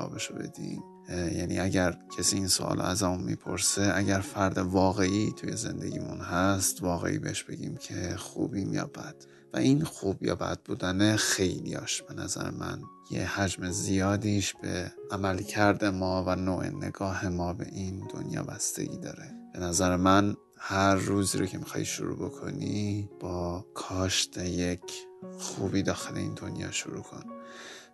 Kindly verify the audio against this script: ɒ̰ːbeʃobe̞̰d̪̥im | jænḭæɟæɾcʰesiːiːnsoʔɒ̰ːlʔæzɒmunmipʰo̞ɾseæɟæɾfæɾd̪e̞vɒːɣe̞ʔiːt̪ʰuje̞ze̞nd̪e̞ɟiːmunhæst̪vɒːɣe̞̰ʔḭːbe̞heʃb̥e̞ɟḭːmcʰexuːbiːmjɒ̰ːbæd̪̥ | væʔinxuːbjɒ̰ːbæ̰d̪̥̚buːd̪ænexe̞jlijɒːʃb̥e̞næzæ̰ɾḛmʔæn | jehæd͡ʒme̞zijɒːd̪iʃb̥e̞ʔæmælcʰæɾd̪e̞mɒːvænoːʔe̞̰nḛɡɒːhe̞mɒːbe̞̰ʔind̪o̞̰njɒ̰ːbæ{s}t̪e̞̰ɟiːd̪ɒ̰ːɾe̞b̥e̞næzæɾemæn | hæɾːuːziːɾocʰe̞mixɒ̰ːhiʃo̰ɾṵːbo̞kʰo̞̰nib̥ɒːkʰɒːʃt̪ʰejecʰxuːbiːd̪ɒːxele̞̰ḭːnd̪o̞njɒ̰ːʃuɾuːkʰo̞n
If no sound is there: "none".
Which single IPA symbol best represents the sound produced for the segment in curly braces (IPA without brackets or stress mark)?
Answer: s